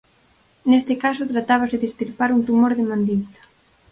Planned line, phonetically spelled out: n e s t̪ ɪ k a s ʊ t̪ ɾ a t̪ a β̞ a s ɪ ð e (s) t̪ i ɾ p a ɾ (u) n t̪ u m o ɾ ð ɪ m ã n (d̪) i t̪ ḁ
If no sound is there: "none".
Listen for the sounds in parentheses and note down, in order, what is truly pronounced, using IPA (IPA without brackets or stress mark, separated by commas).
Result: s, u, d̪